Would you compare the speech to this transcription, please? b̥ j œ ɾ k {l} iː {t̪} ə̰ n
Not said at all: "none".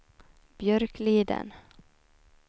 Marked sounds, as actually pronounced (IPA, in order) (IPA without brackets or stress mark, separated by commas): l, d̪